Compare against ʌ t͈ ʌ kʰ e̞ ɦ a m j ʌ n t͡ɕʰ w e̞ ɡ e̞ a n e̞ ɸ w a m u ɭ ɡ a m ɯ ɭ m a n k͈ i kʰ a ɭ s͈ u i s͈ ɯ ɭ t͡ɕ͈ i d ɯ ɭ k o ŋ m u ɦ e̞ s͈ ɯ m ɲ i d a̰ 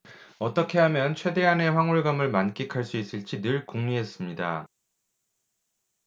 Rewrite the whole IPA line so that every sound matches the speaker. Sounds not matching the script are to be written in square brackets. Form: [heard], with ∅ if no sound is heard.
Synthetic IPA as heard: ʌ t͈ ʌ kʰ e̞ ɦ a m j ʌ n t͡ɕʰ w e̞ [d] e̞ a n e̞ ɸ w a [ŋ] u ɭ ɡ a m ɯ ɭ m a n k͈ i kʰ a ɭ s͈ u i s͈ ɯ ɭ t͡ɕ͈ i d ɯ ɭ k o ŋ [ɲ] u ɦ e̞ s͈ ɯ m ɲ i d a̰